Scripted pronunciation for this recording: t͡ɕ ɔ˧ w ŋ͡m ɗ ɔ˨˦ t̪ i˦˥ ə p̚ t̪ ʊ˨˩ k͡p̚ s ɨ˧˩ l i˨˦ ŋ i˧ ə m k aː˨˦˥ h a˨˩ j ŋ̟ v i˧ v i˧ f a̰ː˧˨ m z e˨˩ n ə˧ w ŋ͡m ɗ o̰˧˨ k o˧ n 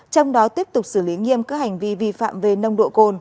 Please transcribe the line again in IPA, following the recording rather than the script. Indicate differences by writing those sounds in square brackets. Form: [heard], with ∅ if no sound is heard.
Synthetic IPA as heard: t͡ɕ ɔ˧ w ŋ͡m ɗ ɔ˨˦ t̪ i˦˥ ə p̚ t̪ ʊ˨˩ k͡p̚ s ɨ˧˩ l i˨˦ ŋ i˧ ə m k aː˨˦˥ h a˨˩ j ŋ̟ v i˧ v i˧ f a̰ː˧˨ m [v] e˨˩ n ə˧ w ŋ͡m ɗ o̰˧˨ k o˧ n